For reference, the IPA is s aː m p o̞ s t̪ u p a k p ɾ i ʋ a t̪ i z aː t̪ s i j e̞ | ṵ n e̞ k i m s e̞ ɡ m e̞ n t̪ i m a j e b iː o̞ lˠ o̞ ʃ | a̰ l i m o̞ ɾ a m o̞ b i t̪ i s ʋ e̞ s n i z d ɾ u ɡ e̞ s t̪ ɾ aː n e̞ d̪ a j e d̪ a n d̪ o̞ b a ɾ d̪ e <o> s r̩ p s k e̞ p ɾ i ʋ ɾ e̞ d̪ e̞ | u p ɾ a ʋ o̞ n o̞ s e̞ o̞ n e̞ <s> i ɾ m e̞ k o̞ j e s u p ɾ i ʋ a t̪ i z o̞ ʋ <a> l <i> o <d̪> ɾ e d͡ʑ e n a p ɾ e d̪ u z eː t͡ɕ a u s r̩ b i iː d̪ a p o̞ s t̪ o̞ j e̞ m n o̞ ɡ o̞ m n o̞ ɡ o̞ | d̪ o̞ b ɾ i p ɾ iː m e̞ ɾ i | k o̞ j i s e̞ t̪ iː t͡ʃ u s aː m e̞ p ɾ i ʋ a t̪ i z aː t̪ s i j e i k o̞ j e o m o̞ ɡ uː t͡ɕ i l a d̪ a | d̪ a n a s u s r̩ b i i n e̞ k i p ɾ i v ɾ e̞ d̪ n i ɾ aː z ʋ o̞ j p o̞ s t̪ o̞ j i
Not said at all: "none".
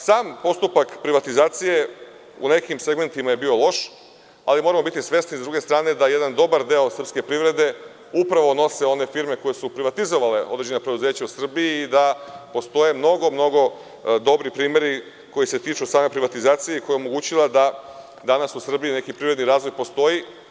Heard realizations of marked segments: o, f, a, e, d̪

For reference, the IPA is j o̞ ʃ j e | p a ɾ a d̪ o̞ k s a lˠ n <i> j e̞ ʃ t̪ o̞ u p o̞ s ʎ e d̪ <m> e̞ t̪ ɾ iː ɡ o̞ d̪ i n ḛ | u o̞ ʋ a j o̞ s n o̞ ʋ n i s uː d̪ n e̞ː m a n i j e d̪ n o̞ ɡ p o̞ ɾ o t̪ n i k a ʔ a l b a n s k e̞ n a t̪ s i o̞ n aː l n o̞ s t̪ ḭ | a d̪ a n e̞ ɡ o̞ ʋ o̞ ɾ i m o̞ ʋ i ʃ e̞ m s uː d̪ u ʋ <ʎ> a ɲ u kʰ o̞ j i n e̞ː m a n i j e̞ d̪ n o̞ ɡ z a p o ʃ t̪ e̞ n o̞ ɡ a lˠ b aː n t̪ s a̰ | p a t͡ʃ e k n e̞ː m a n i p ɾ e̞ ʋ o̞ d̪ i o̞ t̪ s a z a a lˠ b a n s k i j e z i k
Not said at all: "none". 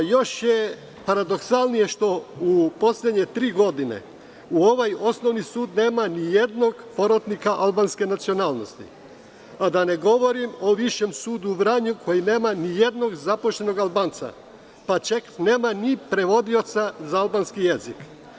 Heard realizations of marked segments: i, ɲ, ɾ

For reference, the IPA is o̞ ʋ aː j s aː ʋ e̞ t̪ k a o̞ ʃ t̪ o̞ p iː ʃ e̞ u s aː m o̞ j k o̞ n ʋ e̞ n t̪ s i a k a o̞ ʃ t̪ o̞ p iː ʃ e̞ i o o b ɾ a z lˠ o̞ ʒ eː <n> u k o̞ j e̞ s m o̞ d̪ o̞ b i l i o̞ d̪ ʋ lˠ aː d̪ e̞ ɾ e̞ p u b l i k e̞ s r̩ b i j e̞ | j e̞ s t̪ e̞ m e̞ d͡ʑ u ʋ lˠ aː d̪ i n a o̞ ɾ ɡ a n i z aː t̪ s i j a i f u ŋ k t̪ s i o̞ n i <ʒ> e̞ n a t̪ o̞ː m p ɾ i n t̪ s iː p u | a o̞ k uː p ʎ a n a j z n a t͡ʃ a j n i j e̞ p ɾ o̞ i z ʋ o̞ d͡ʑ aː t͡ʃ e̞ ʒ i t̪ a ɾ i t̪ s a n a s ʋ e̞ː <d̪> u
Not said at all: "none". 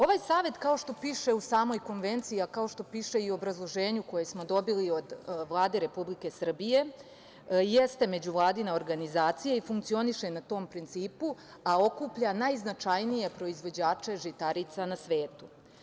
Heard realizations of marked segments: ɲ, ʃ, t̪

